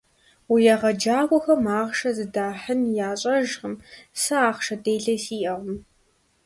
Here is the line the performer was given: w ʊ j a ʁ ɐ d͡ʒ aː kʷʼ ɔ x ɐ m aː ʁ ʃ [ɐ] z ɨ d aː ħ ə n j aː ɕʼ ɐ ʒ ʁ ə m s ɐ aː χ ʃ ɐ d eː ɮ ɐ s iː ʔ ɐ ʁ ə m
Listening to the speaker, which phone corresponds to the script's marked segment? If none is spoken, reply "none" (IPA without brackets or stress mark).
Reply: ɐ